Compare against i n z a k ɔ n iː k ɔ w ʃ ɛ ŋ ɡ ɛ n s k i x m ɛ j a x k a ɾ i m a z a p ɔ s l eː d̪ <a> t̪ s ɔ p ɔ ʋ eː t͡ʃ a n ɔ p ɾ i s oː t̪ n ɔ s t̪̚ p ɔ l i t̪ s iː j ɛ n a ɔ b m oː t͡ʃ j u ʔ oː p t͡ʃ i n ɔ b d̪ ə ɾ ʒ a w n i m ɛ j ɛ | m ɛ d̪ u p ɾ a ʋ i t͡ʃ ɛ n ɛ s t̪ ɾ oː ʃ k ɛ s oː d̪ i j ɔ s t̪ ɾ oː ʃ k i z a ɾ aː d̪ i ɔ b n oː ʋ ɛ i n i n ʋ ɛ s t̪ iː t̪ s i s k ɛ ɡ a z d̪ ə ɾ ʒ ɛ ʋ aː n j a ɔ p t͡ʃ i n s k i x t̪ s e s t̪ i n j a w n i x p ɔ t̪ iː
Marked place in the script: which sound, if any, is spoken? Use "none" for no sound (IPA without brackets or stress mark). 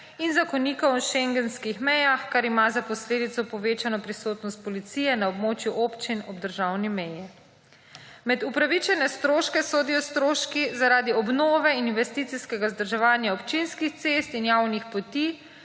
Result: i